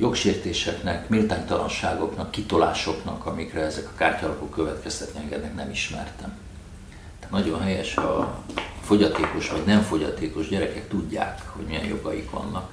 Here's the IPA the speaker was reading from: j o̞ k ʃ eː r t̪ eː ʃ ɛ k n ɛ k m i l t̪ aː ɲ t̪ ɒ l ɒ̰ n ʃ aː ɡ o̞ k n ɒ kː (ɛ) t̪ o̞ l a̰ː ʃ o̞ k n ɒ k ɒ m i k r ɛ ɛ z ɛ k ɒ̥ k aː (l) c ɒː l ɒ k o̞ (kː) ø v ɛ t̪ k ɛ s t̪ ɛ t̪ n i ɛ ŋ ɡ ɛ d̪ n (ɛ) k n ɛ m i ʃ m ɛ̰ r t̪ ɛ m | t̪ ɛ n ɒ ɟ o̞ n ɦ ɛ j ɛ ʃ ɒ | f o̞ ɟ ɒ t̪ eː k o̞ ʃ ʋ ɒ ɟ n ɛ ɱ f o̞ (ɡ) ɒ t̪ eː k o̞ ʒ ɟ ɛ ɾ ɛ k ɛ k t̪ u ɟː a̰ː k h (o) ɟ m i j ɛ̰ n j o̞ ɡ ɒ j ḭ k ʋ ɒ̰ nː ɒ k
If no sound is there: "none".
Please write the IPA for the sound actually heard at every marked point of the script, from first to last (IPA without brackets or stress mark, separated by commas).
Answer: i, r, kː, ɛ, ɟ, o